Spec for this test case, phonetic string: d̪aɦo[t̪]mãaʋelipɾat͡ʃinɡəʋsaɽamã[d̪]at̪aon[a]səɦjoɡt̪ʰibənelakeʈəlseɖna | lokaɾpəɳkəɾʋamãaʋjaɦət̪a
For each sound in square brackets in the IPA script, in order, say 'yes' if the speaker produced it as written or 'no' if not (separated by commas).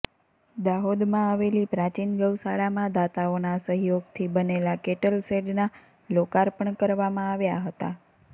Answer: no, yes, yes